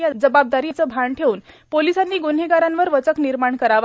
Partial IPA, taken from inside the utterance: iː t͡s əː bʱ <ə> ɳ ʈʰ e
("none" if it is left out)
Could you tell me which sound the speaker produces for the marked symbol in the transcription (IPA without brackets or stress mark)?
a